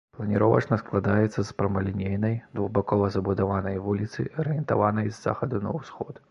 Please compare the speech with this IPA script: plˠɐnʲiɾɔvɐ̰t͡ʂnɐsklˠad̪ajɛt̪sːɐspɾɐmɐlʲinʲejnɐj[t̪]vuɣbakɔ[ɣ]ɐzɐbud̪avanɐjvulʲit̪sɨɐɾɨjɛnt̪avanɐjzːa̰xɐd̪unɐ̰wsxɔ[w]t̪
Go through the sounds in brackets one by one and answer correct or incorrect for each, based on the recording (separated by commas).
incorrect, incorrect, incorrect